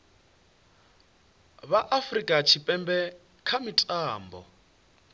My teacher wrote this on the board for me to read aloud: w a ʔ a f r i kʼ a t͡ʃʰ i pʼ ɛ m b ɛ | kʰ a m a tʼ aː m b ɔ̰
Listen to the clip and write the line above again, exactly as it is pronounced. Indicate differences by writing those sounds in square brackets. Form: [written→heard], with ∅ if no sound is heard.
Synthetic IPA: [w→β] a ʔ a f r i kʼ a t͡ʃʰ i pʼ ɛ m b ɛ | kʰ a m [a→i] tʼ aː m b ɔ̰